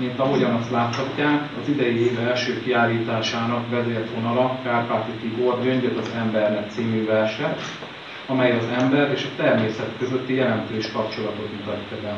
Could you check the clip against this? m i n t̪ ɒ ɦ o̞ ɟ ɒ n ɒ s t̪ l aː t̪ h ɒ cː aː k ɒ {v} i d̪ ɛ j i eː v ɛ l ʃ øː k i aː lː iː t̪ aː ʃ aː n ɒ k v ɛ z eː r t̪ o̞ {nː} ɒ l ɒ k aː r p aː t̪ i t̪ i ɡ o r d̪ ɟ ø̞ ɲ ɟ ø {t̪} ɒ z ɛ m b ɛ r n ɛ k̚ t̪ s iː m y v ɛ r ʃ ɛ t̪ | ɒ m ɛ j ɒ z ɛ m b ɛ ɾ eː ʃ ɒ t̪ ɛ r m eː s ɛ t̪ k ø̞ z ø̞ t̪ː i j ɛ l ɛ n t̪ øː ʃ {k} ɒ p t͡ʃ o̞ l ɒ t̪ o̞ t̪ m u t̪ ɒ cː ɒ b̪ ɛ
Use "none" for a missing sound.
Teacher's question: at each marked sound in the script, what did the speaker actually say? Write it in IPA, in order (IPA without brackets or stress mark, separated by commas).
z, n, t̪, k